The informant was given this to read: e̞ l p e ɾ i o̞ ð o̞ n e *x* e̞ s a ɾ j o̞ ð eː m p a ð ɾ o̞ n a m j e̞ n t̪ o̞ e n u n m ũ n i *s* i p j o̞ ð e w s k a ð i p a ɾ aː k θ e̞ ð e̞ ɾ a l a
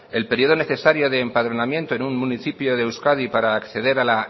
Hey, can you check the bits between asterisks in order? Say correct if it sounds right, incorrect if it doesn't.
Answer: incorrect: θ, incorrect: θ

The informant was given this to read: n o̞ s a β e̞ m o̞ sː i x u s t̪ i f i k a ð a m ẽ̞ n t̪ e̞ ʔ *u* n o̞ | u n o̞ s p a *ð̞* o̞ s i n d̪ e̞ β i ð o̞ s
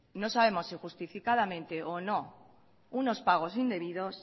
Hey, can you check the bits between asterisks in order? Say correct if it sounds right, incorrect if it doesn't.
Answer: incorrect: o, incorrect: ɣ̞

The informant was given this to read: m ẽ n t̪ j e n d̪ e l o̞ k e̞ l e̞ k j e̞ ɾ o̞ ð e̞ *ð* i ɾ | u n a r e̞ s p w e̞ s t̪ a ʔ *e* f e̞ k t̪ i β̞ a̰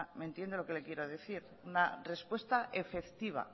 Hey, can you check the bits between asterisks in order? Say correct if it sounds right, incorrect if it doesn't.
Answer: incorrect: θ, correct

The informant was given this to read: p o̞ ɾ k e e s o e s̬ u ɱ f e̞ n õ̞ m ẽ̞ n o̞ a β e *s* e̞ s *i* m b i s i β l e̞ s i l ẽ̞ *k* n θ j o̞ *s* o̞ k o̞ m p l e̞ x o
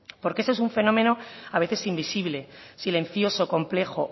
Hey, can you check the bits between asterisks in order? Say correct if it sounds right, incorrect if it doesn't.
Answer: incorrect: θ, correct, incorrect: none, correct

